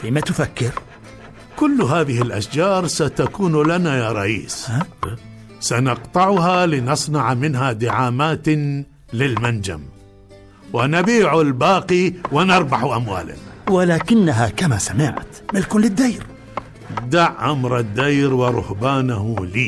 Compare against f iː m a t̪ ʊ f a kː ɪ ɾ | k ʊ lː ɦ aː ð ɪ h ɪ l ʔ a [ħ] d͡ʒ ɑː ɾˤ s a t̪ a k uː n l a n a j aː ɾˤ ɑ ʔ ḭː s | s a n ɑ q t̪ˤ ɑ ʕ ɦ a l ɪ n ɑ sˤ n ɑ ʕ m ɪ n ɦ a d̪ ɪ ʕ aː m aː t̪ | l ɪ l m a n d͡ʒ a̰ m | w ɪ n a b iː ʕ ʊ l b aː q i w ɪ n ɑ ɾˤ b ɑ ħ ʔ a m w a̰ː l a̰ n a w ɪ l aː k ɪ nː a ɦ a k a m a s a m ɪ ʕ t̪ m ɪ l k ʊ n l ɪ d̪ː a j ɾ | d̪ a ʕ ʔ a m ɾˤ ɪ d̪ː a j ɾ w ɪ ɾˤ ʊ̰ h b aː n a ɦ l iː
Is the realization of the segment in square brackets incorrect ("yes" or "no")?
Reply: yes